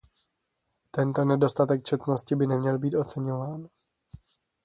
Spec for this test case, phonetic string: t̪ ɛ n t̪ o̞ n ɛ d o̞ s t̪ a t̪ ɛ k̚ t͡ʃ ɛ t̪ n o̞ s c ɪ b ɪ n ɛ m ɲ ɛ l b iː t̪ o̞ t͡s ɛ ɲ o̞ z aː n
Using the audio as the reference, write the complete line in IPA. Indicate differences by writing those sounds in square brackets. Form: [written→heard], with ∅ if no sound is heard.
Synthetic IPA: t̪ ɛ n t̪ o̞ n ɛ d o̞ s t̪ a t̪ ɛ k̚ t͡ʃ ɛ t̪ n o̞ s c ɪ b ɪ n ɛ m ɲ ɛ l b iː t̪ o̞ t͡s ɛ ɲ o̞ [z→v] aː n